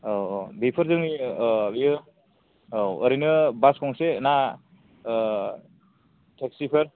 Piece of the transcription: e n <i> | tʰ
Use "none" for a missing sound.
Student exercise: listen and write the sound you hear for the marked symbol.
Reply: a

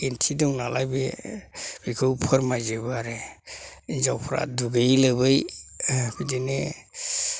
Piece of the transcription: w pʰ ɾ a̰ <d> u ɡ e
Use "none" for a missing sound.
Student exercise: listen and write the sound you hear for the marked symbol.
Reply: d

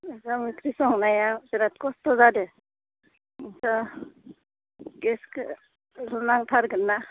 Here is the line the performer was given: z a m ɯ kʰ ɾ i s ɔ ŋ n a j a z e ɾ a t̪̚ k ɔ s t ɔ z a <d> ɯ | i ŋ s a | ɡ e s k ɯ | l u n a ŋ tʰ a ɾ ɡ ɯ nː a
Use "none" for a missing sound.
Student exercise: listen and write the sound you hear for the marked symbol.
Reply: d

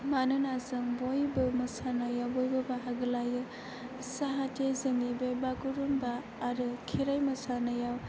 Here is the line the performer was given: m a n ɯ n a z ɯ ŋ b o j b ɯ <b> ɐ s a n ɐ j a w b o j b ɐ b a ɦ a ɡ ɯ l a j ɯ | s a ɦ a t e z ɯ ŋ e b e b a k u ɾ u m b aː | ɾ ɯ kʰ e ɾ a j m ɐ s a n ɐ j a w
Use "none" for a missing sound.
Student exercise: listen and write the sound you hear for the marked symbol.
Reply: m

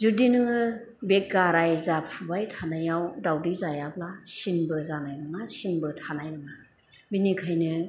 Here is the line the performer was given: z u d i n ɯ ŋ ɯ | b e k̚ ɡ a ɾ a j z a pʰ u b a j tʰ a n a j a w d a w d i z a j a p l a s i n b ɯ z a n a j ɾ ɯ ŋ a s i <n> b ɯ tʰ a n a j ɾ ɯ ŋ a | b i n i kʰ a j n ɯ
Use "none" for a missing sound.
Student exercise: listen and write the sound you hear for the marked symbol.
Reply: n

